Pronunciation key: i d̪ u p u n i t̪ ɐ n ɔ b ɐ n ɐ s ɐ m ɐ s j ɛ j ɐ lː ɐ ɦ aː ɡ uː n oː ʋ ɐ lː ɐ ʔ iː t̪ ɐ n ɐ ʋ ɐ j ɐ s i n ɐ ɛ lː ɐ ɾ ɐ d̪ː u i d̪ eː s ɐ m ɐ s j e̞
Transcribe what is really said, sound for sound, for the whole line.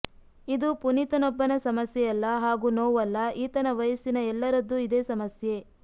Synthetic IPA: i d̪ u p u n i t̪ ɐ n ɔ bː ɐ n ɐ s ɐ m ɐ s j ɛ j ɐ lː ɐ ɦ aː ɡ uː n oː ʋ ɐ lː ɐ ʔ iː t̪ ɐ n ɐ ʋ ɐ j ɐ s i n ɐ ɛ lː ɐ ɾ ɐ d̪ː u i d̪ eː s ɐ m ɐ s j e̞